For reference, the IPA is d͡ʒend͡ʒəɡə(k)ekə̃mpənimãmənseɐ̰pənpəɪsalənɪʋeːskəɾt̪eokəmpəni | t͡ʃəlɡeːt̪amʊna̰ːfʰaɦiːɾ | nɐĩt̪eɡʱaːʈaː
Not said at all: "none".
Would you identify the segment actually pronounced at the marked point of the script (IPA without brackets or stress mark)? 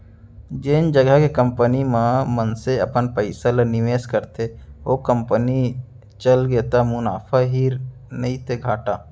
k